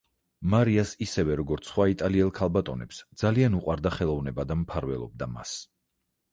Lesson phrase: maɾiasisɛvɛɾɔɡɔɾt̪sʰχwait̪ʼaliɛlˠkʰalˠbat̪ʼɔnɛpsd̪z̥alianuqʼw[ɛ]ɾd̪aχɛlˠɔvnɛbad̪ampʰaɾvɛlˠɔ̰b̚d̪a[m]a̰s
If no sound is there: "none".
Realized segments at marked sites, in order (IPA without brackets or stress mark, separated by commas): a, m